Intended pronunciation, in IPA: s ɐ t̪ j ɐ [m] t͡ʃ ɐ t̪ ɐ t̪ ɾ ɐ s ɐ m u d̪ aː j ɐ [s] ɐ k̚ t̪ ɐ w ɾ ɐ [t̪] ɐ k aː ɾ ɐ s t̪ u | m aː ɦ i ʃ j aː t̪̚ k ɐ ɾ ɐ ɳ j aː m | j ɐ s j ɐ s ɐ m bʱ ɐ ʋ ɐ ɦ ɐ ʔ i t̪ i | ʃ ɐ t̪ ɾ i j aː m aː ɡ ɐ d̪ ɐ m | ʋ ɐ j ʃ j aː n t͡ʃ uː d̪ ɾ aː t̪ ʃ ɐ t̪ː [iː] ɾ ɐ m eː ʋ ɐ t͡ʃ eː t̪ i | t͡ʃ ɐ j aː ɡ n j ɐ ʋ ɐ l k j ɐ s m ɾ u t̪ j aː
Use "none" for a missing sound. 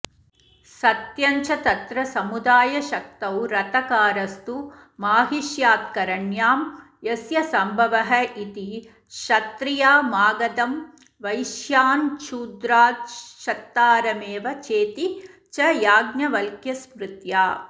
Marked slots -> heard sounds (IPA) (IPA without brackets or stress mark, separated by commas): ɲ, ʃ, t̪, aː